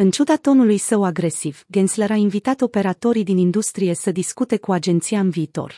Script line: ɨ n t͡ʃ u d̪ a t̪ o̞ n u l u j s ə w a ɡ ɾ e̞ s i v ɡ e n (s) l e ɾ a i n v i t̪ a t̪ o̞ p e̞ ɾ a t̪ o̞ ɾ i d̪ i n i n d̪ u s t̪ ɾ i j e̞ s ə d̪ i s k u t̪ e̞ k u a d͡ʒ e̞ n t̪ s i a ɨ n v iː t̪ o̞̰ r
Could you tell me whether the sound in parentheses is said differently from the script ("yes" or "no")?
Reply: no